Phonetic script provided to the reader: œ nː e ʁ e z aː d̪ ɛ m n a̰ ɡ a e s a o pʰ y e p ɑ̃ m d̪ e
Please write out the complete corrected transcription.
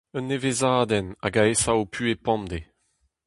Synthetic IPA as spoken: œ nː e v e z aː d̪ ɛ n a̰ ɡ a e s a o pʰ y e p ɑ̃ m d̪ e